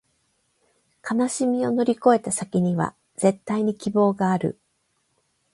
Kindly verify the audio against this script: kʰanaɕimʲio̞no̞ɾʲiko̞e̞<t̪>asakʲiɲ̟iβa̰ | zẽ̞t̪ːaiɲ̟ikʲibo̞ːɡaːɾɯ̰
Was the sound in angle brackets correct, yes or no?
yes